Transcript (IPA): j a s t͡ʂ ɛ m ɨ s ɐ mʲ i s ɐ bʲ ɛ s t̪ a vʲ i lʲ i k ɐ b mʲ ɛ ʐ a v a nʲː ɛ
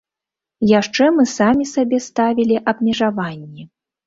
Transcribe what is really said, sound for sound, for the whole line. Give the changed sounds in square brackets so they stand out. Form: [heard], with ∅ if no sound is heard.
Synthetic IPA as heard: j a [ʂ] t͡ʂ ɛ m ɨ s [a] mʲ i s [a] bʲ ɛ s t̪ a vʲ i lʲ i [ʔ] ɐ b mʲ ɛ ʐ a v a nʲː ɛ